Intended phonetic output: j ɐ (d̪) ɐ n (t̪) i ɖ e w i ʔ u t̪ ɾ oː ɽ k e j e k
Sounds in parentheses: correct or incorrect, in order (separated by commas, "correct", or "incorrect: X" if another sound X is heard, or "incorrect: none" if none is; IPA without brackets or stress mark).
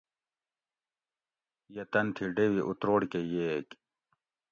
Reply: incorrect: t̪, incorrect: t̪ʰ